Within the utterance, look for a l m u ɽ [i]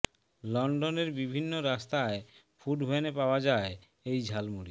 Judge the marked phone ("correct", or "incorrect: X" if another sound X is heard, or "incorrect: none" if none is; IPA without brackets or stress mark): correct